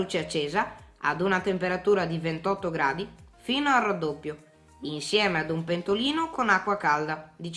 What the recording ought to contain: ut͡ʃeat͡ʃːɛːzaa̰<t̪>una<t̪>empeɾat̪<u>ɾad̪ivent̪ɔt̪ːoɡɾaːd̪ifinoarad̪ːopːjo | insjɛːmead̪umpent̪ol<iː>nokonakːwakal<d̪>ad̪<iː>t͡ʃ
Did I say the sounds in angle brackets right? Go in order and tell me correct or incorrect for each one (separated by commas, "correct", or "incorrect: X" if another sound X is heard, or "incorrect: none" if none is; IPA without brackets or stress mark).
incorrect: d̪, correct, incorrect: uː, correct, correct, incorrect: i